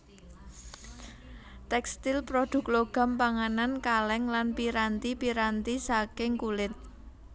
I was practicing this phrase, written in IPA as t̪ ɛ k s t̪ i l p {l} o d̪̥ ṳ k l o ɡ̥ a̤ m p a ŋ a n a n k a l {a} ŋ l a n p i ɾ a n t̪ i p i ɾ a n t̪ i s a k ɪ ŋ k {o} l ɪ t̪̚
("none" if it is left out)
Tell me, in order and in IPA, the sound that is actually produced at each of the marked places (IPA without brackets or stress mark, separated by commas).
ɾ, ɛ, u